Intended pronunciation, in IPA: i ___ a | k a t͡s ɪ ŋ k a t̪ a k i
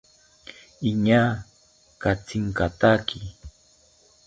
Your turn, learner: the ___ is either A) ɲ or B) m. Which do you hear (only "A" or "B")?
A